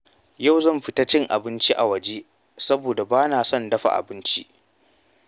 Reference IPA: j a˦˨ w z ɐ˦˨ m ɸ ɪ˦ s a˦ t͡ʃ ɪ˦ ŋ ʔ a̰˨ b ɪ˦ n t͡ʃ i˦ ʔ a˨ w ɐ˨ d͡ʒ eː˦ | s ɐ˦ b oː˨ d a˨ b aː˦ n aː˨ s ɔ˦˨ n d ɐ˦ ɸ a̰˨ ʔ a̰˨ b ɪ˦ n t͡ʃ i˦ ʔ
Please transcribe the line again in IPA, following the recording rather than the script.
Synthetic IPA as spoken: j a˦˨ w z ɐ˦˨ m ɸ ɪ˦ t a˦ t͡ʃ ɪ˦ ŋ ʔ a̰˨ b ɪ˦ n t͡ʃ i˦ ʔ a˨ w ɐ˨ d͡ʒ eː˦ | s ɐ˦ b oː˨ d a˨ b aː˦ n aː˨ s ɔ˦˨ n d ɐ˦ ɸ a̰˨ ʔ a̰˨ b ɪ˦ n t͡ʃ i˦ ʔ